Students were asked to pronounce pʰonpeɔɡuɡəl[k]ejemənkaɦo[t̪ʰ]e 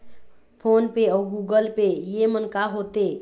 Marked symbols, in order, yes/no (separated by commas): no, no